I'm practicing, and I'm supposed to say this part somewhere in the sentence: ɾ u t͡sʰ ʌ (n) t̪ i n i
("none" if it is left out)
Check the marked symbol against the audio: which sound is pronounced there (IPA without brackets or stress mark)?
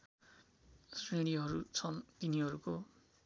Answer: n